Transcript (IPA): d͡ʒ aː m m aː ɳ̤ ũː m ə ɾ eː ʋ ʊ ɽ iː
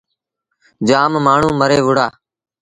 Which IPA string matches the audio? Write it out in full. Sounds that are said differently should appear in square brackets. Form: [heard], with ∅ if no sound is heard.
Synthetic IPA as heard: d͡ʒ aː m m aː ɳ̤ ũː m ə ɾ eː ʋ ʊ ɽ [aː]